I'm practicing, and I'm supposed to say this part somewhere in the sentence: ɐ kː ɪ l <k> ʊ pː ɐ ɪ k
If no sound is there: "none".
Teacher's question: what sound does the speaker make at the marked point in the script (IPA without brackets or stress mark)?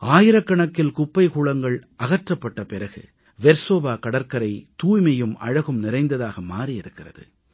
k